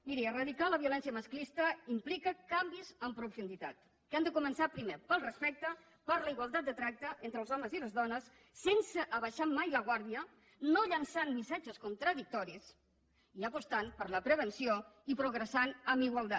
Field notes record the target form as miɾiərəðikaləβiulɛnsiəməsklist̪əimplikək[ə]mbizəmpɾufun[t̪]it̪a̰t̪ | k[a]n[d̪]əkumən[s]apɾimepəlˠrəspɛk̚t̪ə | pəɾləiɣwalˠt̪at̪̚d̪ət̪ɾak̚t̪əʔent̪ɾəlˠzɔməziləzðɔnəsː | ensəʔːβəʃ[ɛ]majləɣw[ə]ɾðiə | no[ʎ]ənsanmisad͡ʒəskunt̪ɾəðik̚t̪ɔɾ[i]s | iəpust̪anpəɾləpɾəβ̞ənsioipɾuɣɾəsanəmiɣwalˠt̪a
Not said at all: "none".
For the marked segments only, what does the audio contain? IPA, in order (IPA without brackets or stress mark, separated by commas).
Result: a, d̪, a, d̪, s, a, a, ʎ, i